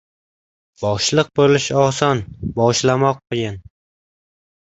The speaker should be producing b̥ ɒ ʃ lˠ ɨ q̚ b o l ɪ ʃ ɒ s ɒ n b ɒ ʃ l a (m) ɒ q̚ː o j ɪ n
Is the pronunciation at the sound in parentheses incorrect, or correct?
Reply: correct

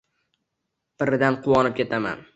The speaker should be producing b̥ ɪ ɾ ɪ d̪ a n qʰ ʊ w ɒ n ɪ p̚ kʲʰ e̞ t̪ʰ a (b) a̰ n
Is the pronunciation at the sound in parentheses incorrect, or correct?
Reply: incorrect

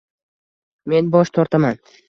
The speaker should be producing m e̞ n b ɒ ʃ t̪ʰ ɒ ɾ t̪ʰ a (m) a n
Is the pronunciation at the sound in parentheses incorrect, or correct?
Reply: correct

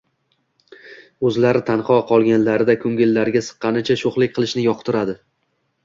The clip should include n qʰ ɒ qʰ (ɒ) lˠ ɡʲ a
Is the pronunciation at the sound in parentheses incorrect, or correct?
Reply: correct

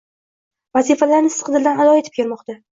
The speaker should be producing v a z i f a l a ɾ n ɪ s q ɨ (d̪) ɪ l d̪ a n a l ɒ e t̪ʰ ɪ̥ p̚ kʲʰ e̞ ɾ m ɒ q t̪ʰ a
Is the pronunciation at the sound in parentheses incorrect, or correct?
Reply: correct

